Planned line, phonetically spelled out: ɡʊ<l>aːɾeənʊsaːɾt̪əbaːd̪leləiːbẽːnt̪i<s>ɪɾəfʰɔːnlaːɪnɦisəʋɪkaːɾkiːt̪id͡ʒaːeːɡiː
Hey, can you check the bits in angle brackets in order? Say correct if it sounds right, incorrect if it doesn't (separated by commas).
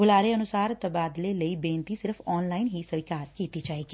correct, correct